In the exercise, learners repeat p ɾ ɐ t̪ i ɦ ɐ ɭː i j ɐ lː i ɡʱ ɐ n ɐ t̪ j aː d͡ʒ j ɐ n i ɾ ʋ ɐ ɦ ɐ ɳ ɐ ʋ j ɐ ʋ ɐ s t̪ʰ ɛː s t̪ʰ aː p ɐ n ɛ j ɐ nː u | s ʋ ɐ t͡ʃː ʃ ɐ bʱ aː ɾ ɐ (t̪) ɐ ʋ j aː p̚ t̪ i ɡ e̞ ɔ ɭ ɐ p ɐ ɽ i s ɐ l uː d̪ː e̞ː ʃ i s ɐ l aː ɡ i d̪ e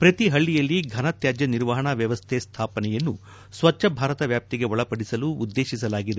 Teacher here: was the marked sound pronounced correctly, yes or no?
yes